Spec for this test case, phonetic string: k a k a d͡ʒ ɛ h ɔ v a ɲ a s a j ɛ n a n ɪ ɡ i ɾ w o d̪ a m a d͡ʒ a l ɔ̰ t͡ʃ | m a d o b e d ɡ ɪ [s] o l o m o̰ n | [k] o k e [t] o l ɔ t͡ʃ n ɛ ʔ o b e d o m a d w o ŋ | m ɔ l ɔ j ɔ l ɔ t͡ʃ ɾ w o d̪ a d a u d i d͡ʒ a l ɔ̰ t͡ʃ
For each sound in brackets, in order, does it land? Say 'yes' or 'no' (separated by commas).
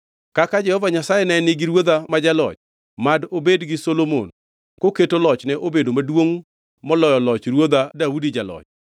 yes, yes, yes